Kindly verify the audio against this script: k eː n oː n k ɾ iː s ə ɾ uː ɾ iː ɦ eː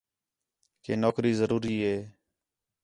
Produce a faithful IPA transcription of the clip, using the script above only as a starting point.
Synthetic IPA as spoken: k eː n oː k ɾ iː z ə ɾ uː ɾ iː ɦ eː